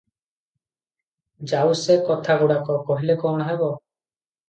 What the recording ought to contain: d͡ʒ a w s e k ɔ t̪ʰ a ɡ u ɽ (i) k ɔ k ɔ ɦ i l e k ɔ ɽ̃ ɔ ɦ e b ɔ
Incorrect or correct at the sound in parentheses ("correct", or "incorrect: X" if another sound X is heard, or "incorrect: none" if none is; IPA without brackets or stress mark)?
incorrect: a